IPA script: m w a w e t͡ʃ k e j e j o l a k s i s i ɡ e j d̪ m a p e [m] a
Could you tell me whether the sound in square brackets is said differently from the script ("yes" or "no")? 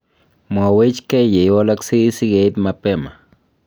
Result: no